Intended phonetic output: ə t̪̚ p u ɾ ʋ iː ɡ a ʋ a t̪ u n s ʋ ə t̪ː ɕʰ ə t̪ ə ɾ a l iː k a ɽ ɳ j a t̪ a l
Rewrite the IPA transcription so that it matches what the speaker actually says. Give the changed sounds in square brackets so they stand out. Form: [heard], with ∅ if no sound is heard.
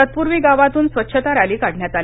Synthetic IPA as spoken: ə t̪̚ p u ɾ ʋ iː ɡ a ʋ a t̪ [uː] n s ʋ ə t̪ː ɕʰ ə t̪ [a] ɾ a l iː k a ɽ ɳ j a t̪ a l